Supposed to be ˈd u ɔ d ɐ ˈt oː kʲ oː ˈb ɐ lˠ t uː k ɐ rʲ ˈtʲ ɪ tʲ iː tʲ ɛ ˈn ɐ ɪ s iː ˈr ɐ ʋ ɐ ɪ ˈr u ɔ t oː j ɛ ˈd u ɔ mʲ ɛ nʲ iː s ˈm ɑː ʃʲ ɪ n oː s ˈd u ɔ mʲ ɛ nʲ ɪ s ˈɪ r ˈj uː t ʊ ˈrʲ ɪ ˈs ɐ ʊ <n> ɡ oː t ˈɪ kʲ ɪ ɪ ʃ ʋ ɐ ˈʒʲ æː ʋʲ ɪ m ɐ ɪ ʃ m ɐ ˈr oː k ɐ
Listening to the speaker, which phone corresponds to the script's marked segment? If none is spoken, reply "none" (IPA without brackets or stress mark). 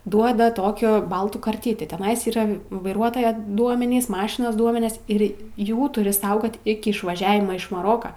none